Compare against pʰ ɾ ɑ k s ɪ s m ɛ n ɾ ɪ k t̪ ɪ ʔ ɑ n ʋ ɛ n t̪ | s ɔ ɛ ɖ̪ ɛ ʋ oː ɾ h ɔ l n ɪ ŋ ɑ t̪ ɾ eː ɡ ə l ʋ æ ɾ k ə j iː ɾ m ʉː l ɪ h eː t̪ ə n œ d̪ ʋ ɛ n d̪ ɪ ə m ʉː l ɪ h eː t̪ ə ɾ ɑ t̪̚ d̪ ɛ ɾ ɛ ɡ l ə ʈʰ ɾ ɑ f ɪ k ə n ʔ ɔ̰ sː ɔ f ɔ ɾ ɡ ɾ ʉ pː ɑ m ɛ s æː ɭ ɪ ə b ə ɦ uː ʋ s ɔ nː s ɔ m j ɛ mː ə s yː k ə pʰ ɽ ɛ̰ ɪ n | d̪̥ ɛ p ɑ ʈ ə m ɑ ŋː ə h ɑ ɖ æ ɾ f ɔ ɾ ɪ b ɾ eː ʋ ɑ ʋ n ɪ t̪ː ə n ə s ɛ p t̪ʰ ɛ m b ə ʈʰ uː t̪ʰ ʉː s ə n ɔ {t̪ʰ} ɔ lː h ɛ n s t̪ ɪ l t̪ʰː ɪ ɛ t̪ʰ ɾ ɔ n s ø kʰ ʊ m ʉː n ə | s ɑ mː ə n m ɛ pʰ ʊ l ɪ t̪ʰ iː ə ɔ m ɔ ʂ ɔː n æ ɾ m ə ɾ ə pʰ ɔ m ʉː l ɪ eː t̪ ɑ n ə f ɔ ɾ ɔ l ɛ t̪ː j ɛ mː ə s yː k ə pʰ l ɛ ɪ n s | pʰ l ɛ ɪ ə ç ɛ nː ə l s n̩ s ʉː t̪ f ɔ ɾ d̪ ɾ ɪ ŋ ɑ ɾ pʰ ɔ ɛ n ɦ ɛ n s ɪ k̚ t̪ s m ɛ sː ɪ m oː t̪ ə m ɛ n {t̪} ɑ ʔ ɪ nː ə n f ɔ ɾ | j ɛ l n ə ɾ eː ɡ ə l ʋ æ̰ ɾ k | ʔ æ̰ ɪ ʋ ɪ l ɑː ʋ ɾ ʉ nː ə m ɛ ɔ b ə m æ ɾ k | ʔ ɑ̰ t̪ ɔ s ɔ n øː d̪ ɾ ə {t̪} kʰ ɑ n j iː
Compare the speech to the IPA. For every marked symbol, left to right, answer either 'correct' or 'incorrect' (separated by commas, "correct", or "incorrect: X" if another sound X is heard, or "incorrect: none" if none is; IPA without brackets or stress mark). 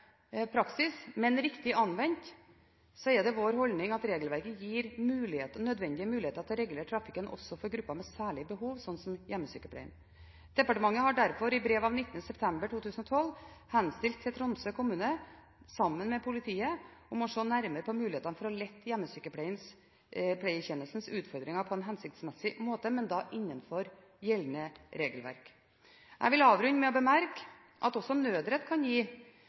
correct, incorrect: d̪, correct